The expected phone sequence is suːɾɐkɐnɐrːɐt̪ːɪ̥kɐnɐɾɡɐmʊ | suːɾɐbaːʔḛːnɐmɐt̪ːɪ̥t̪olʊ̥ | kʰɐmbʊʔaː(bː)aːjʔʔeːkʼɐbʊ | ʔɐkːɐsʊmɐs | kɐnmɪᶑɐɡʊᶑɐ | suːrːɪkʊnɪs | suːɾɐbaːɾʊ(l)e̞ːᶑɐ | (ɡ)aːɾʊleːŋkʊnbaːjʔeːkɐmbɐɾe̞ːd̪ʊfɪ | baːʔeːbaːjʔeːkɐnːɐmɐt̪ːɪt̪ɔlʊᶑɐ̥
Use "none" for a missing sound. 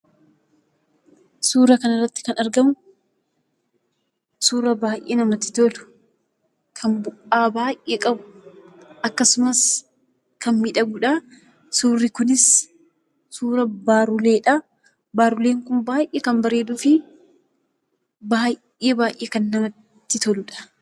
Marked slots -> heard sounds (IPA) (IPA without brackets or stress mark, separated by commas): b, l, b